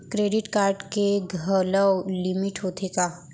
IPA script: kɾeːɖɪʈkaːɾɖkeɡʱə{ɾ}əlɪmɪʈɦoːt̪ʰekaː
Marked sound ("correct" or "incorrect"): incorrect